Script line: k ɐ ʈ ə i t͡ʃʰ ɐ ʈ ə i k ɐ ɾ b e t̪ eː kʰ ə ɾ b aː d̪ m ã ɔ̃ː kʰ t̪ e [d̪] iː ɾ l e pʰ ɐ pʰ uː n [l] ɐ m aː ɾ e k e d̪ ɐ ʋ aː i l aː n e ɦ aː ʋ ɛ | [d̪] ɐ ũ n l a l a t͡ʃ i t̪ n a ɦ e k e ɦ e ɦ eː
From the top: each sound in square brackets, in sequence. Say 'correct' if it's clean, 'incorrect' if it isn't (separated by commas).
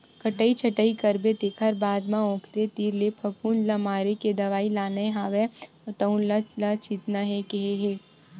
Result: incorrect, correct, incorrect